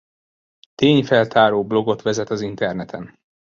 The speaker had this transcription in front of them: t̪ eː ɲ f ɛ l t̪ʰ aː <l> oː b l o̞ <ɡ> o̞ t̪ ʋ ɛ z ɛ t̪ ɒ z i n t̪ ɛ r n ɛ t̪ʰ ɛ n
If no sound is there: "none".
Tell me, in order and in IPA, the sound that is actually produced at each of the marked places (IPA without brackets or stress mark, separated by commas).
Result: ɾ, ɡ